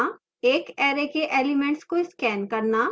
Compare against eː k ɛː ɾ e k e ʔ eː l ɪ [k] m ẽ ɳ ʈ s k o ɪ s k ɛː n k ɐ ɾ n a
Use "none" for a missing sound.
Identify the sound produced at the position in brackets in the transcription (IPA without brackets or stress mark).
none